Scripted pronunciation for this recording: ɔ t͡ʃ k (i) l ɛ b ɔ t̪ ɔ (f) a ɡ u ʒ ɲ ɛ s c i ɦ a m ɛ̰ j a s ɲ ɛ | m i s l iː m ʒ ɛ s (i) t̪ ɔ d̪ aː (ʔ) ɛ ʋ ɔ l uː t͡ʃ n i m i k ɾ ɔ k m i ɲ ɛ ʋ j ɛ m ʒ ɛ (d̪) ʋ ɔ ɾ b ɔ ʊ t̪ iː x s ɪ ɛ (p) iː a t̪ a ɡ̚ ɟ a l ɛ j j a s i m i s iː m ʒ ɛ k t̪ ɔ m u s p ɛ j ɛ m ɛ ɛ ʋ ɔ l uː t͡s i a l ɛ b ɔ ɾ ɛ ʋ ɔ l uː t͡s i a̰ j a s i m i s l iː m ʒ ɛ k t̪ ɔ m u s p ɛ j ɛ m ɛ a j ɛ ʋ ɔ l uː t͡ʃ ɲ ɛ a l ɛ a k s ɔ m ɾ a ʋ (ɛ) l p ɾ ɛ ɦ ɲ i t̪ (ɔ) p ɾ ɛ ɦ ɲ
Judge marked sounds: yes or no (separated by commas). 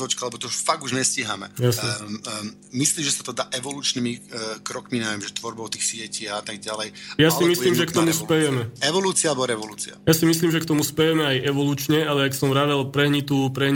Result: no, yes, no, yes, no, no, yes, no